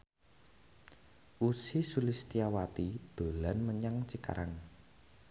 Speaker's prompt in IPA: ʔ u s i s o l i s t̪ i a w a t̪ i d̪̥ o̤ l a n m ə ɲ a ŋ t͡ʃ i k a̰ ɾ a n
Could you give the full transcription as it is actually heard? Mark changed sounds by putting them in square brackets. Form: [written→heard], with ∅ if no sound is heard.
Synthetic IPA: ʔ u s i s [o→u] l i s t̪ i a w a t̪ i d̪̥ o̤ l a n m ə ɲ a ŋ t͡ʃ i k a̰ ɾ a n